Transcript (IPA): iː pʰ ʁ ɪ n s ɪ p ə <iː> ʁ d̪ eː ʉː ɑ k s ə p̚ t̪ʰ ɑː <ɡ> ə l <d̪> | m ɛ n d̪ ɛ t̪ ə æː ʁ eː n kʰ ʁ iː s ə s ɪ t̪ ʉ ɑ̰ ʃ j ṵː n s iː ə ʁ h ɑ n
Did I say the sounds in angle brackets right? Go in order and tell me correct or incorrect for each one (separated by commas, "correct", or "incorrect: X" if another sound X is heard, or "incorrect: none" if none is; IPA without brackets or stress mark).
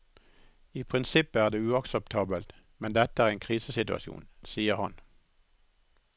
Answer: incorrect: æː, incorrect: b, incorrect: t̪